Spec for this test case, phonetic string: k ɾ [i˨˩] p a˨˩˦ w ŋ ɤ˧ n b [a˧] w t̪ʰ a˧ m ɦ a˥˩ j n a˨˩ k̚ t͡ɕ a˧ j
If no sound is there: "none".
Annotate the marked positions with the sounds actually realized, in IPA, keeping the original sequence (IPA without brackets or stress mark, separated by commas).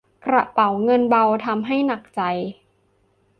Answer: a˨˩, a˧